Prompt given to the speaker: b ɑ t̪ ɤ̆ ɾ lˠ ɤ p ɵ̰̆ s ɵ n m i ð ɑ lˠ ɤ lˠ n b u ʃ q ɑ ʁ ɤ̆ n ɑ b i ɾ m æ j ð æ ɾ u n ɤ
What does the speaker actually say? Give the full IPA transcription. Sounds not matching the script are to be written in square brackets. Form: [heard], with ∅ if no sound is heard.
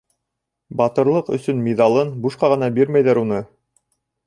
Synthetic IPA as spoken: b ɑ t̪ ɤ̆ ɾ lˠ ɤ [q] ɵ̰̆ s ɵ n m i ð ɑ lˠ ɤ [∅] n b u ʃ q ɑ ʁ ɤ̆ n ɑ b i ɾ m æ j ð æ ɾ u n ɤ